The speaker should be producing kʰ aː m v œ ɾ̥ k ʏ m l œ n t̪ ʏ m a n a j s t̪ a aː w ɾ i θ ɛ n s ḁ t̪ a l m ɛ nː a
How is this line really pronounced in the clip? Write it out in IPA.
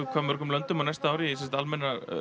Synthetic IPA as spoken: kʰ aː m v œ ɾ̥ k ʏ m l œ n t̪ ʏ m a n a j s t̪ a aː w ɾ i s ɛ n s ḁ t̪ a l m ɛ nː a